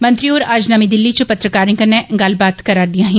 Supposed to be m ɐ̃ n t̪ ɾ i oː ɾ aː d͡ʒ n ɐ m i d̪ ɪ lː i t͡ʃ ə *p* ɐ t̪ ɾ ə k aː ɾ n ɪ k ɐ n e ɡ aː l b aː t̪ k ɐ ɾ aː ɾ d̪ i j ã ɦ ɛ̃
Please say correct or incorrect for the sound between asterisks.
correct